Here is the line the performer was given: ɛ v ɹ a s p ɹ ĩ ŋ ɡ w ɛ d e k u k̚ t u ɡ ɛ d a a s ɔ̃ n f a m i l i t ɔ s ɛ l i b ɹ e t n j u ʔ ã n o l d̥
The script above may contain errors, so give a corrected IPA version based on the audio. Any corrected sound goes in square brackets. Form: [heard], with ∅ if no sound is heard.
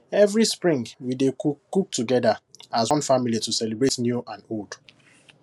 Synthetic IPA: ɛ v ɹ [i] s p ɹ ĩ ŋ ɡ w [i] d e k u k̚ t u ɡ ɛ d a a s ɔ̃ n f a m i l i t [u] s ɛ l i b ɹ e t n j u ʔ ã n o l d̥